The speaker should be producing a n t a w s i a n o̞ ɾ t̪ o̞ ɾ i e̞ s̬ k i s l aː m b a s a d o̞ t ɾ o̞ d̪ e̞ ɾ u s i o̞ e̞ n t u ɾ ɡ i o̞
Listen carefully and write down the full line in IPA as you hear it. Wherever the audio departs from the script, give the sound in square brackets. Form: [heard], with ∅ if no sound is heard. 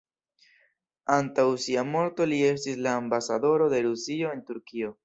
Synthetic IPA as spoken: a n t a w s i a [m] o̞ ɾ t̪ o̞ [l] i e̞ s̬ [t] i s l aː m b a s a d o̞ [∅] ɾ o̞ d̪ e̞ ɾ u s i o̞ e̞ n t u ɾ [k] i o̞